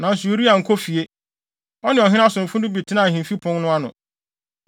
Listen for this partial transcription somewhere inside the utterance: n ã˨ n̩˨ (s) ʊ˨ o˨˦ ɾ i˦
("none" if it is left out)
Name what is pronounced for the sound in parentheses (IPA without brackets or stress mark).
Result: s